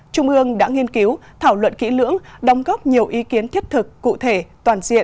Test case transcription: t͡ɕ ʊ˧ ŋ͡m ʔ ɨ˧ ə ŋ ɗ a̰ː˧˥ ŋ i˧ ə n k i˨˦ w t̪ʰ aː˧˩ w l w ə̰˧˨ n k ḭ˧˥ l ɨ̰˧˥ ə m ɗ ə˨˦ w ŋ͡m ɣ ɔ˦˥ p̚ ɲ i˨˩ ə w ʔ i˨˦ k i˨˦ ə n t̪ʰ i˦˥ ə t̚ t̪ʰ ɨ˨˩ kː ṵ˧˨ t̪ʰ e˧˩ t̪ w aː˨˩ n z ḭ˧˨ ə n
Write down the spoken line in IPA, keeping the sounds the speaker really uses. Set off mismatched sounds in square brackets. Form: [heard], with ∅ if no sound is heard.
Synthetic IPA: t͡ɕ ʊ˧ ŋ͡m ʔ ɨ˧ ə ŋ ɗ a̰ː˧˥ ŋ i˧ ə n k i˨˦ w t̪ʰ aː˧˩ w l w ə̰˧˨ n k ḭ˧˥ l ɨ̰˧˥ ə [ŋ] ɗ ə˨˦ w ŋ͡m ɣ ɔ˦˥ p̚ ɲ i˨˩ ə w ʔ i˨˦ k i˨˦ ə n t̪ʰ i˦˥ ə t̚ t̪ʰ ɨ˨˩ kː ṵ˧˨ t̪ʰ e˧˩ t̪ w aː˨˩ n z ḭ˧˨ ə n